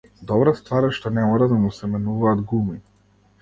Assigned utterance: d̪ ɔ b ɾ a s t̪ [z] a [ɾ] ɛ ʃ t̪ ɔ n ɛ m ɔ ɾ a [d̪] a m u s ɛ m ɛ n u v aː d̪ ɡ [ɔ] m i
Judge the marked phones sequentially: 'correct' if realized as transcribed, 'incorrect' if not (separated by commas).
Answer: incorrect, correct, correct, incorrect